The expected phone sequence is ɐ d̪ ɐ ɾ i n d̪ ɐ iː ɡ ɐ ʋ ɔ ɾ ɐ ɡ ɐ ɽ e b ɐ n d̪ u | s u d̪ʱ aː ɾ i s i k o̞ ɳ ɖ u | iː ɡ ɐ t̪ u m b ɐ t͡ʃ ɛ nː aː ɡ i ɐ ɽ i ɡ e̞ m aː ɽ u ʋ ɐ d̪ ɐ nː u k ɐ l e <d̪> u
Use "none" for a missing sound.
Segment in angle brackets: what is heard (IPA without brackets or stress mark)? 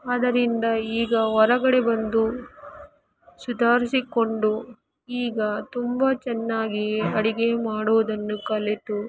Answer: t̪